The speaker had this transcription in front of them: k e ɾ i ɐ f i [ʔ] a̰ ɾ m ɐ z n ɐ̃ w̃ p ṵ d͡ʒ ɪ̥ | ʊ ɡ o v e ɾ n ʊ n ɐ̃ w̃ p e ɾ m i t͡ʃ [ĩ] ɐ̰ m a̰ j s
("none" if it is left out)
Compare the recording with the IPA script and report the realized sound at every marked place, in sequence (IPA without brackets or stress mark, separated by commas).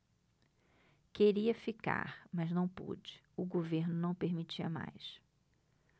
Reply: k, i